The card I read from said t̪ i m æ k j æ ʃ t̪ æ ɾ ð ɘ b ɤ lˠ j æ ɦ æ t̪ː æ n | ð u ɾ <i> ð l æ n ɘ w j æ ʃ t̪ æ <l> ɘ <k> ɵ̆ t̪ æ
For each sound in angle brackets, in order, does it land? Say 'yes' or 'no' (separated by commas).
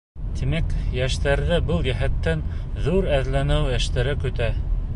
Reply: no, no, yes